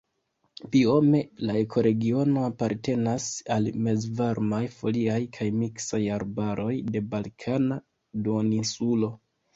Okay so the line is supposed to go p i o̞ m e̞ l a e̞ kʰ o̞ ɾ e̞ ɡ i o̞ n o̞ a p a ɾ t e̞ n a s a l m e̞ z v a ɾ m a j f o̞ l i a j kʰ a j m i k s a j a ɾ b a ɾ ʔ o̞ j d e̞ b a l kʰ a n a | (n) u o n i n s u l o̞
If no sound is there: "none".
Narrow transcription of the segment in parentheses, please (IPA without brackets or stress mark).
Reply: d